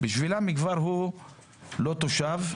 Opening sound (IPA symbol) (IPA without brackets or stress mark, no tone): b